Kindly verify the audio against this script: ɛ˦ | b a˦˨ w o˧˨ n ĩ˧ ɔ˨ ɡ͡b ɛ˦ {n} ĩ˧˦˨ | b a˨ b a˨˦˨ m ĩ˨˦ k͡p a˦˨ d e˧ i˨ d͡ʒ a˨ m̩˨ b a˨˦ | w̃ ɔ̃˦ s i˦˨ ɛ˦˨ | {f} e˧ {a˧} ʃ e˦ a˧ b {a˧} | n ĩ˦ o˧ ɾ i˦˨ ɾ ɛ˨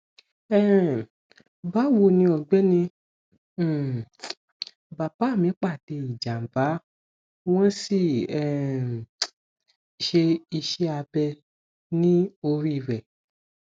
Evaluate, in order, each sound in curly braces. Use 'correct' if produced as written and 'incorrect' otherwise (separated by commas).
correct, incorrect, incorrect, incorrect